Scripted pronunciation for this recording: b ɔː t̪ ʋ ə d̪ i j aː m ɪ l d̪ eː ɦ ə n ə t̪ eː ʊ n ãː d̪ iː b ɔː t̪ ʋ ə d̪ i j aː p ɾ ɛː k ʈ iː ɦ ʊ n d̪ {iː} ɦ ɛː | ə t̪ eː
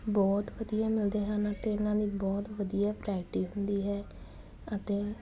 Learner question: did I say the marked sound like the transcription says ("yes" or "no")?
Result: yes